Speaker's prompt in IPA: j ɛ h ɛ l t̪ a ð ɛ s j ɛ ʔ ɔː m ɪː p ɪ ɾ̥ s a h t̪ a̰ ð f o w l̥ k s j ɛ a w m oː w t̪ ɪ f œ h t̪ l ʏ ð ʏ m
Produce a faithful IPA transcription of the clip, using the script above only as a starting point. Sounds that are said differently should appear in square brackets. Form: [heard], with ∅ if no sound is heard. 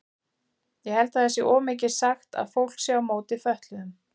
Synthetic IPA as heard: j ɛ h ɛ l t̪ a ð ɛ s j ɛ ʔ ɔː m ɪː [c] ɪ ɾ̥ s a [x] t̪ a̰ ð f o w l̥ k s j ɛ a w m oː w t̪ ɪ f œ h t̪ l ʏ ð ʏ m